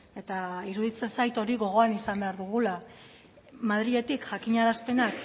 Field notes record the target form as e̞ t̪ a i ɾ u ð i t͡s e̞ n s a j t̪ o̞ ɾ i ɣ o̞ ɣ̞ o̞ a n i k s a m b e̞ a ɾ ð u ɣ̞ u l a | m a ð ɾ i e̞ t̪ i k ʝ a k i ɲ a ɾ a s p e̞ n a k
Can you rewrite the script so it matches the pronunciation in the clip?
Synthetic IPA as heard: e̞ t̪ a i ɾ u ð i t͡s e̞ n s a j t̪ o̞ ɾ i ɣ o̞ ɣ̞ o̞ a n i s a m b e̞ a ɾ ð u ɣ̞ u l a | m a ð ɾ i e̞ t̪ i k ʝ a k i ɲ a ɾ a s p e̞ n a k